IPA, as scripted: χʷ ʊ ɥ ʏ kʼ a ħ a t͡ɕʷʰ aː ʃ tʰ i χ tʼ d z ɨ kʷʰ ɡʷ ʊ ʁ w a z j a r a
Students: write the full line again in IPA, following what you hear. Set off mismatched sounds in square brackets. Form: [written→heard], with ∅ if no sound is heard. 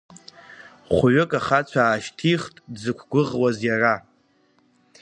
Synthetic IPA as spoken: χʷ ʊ ɥ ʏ kʼ a [ħ→χ] a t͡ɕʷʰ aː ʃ tʰ i χ tʼ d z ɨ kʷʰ ɡʷ ʊ ʁ w a z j a r a